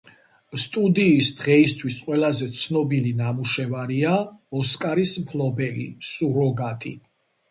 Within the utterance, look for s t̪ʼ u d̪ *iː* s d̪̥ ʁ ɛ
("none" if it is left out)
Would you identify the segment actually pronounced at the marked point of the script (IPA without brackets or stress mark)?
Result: iː